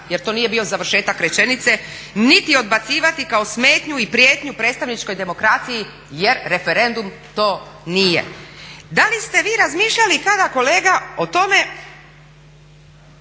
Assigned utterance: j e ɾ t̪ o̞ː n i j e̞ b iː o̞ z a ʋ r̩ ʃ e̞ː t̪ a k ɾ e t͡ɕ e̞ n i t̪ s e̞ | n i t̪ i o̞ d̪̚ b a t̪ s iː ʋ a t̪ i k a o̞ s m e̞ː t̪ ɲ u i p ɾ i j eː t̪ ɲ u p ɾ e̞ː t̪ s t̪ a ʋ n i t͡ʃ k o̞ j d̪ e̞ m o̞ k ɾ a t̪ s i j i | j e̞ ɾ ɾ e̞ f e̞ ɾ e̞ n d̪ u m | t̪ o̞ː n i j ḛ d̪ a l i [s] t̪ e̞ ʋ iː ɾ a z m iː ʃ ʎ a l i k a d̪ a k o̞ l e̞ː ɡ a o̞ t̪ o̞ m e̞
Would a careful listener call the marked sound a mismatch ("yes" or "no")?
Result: no